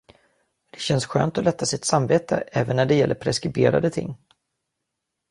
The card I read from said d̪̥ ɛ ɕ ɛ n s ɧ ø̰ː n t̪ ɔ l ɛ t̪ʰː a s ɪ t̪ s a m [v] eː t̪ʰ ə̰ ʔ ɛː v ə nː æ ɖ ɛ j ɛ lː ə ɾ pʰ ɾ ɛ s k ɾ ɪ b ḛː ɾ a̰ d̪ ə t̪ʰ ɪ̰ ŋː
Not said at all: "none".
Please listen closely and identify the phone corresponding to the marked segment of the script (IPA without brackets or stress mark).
v